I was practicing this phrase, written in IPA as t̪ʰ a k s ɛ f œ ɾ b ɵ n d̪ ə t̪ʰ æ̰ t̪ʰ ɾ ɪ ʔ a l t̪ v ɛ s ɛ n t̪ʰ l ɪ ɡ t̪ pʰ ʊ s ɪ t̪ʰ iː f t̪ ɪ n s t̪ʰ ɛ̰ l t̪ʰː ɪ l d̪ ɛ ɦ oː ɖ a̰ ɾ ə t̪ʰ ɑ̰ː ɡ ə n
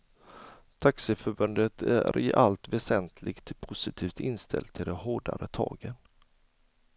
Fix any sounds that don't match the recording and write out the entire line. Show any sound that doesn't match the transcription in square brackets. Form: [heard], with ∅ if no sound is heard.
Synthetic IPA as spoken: t̪ʰ a k s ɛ f œ ɾ b ɵ n d̪ ə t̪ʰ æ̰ [∅] ɾ ɪ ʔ a l t̪ v ɛ s ɛ n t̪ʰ l ɪ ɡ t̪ pʰ ʊ s ɪ t̪ʰ iː f t̪ ɪ n s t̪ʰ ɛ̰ l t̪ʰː ɪ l d̪ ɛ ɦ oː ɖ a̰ ɾ ə t̪ʰ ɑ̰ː ɡ ə n